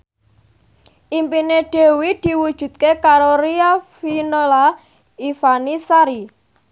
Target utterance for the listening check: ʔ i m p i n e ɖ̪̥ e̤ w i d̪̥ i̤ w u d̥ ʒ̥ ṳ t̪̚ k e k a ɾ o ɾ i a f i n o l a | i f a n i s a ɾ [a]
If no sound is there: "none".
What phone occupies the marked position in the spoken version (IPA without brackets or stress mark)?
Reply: i